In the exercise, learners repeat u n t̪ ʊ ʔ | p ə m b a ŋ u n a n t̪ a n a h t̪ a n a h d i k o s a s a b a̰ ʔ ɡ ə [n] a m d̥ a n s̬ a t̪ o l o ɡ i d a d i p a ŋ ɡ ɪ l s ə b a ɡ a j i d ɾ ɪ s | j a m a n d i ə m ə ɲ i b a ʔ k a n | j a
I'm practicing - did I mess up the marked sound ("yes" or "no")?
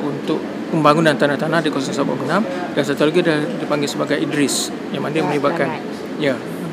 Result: no